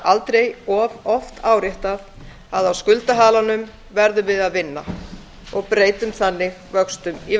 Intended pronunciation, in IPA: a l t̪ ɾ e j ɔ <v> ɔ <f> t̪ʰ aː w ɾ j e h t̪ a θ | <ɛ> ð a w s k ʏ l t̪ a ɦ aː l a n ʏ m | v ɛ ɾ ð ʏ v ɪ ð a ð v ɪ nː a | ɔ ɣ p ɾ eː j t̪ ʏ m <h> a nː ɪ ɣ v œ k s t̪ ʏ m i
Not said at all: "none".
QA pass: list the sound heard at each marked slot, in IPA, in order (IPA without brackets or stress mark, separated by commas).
v, f, a, θ